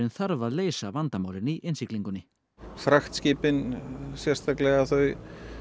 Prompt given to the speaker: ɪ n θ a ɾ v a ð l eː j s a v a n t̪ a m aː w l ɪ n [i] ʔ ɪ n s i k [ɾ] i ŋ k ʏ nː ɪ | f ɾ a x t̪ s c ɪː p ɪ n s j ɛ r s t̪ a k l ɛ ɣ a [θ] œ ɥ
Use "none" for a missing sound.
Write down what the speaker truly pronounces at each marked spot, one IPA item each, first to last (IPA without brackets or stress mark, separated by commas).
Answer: i, l, θ